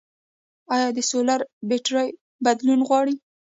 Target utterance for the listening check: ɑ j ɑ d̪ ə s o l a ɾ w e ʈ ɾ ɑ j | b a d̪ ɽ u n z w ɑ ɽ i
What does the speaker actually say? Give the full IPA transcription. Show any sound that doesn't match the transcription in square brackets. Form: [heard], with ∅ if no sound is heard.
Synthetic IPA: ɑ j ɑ d̪ ə s o l a ɾ [b] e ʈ ɾ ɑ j | b a d̪ [l] u n [ɣ] w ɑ ɽ i